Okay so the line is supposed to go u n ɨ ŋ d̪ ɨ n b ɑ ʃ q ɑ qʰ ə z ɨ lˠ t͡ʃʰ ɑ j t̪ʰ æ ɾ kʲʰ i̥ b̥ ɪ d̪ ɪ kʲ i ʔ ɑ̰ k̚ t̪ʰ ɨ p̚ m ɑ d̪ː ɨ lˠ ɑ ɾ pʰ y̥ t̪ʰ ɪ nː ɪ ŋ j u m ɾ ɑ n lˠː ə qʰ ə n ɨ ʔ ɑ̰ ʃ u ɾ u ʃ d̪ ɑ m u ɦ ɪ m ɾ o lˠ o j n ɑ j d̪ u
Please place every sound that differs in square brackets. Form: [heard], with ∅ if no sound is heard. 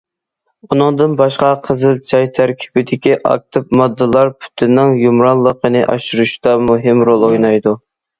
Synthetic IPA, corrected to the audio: u n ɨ ŋ d̪ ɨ n b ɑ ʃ q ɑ qʰ ə z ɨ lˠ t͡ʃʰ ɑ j t̪ʰ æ ɾ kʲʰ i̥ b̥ ɪ d̪ ɪ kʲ i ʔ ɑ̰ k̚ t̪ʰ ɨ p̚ m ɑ d̪ː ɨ lˠ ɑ ɾ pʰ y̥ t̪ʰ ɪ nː ɪ ŋ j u m ɾ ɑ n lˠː ə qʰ ə n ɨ ʔ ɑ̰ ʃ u ɾ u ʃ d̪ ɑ m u ɦ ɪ m ɾ o lˠ o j n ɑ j d̪ u